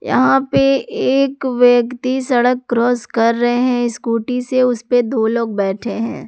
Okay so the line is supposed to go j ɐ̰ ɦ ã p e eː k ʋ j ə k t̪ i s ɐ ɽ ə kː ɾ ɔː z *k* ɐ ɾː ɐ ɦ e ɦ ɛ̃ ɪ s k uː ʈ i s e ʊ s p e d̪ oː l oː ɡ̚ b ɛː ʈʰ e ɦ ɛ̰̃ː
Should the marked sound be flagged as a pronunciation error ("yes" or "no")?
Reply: no